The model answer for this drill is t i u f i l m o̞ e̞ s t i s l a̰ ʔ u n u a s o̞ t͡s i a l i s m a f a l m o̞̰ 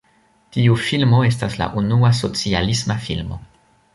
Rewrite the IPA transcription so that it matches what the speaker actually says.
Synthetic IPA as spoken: t i u f i l m o̞ e̞ s t a s l a̰ ʔ u n u a s o̞ t͡s i a l i s m a f i l m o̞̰